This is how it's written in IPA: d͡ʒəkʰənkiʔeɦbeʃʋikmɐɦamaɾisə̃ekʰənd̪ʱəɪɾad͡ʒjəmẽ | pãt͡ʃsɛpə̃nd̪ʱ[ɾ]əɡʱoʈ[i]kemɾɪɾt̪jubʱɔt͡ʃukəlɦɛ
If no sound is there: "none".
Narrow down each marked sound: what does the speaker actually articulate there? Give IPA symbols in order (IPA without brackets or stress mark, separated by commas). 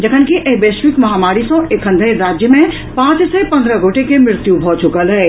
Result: ɾ, e